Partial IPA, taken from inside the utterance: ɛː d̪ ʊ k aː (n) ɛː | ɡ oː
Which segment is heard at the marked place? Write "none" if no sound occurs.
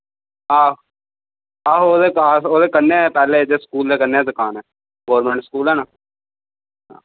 n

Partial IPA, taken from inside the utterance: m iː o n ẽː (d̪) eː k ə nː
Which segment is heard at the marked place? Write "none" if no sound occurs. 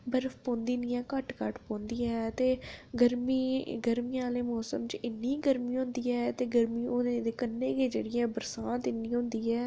d̪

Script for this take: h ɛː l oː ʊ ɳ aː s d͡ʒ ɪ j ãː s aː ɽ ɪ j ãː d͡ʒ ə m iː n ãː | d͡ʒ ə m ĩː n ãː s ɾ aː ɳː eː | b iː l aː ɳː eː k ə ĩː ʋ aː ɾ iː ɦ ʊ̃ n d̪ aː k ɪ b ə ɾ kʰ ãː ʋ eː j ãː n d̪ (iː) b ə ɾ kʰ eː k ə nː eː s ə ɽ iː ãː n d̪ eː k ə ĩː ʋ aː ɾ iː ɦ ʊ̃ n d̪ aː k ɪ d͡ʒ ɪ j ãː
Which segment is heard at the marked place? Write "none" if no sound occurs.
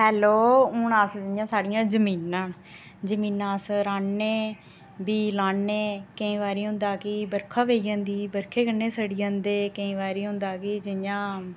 iː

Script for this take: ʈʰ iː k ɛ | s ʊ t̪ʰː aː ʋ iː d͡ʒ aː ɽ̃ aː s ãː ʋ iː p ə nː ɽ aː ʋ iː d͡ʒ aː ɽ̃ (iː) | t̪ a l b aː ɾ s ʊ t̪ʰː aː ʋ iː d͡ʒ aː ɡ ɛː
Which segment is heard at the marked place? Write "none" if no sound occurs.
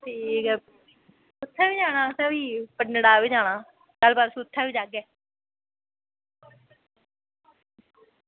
aː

